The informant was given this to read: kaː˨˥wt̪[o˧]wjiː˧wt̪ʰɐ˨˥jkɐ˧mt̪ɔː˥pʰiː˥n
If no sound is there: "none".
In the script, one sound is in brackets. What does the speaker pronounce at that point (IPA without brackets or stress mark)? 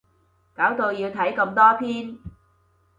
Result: o˧